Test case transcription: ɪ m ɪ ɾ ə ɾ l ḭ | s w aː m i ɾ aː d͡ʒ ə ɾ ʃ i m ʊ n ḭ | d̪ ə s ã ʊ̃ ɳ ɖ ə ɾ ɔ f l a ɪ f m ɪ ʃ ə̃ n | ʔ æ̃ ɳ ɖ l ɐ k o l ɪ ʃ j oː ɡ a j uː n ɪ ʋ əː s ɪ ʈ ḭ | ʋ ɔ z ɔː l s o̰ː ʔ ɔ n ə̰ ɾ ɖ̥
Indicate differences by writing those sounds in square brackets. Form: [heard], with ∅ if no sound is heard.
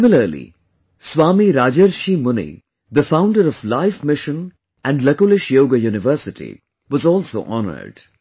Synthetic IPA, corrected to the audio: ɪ m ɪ [l] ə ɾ l ḭ | s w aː m i ɾ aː d͡ʒ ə ɾ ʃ i m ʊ n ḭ | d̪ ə [f] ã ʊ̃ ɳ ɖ ə ɾ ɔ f l a ɪ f m ɪ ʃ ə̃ n | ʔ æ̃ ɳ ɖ l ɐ k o l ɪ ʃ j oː ɡ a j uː n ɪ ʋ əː s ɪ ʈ ḭ | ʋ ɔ z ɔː l s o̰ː ʔ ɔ n ə̰ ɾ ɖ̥

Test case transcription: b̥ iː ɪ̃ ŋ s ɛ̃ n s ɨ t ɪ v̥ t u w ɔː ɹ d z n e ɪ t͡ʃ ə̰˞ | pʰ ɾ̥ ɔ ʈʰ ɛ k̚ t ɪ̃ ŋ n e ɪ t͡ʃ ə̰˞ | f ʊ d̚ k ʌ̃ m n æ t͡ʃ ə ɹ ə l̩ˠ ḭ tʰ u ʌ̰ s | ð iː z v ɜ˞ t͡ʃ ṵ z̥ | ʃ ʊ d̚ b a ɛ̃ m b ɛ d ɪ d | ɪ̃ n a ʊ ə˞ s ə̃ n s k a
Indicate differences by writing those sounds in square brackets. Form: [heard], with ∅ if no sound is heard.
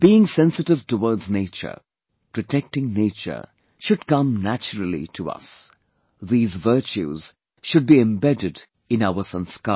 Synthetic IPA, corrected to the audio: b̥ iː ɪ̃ ŋ s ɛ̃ n s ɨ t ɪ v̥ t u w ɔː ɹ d z n e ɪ t͡ʃ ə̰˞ | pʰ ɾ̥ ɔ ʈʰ ɛ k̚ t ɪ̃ ŋ n e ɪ t͡ʃ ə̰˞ | [ʃ] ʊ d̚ k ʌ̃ m n æ t͡ʃ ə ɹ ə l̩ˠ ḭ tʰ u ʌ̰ s | ð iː z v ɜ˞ t͡ʃ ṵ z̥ | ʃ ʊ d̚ b [i] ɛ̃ m b ɛ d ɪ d | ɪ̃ n a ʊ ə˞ s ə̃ n s k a

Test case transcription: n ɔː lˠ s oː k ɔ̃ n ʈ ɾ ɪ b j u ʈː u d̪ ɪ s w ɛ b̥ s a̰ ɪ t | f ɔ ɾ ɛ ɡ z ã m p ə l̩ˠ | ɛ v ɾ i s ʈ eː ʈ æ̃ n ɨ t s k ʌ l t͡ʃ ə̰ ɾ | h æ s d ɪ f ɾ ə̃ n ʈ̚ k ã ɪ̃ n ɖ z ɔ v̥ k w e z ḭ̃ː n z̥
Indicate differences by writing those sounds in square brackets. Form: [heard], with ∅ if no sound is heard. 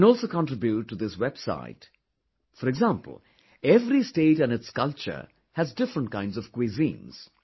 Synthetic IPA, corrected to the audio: n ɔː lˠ s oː k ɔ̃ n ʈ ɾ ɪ b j u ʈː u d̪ ɪ s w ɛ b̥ s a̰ ɪ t | f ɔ ɾ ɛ ɡ z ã m p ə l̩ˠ | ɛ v ɾ i s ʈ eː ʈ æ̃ n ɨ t s k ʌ l t͡ʃ ə̰ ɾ | h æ [z] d ɪ f ɾ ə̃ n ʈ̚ k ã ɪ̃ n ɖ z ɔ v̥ k w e z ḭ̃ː n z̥

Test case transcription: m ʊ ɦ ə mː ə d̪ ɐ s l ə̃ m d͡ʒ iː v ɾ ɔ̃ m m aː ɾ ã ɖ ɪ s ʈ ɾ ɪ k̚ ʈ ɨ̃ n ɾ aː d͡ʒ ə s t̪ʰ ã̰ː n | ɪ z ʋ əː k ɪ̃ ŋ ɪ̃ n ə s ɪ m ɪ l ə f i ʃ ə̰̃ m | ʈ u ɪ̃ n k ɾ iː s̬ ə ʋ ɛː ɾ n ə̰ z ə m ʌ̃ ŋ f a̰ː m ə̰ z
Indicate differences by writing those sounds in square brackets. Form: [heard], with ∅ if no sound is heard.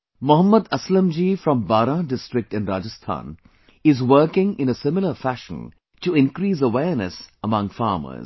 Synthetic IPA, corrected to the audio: m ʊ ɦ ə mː ə d̪ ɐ s l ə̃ m d͡ʒ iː [f] ɾ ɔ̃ m [b] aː ɾ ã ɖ ɪ s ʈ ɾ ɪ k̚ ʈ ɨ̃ n ɾ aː d͡ʒ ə s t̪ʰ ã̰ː n | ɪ z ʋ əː k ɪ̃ ŋ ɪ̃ n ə s ɪ m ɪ l ə f [æ] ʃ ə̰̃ [n] | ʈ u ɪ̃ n k ɾ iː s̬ ə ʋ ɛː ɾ n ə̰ [s] ə m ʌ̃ ŋ f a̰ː m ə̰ z

